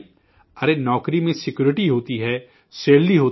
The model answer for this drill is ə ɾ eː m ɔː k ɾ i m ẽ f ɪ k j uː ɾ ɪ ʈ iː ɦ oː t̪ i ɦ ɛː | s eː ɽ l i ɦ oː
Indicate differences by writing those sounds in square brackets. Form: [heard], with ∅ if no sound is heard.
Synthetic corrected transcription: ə ɾ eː [n] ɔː k ɾ i m ẽ [s] ɪ k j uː ɾ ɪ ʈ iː ɦ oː t̪ i ɦ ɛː | s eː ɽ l i ɦ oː